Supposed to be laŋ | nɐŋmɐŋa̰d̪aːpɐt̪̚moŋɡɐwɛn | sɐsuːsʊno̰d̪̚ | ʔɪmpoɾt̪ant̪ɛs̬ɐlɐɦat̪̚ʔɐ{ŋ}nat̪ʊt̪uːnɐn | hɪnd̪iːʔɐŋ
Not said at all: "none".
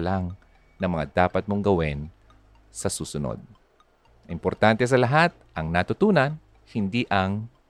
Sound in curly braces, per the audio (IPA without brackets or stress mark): ŋ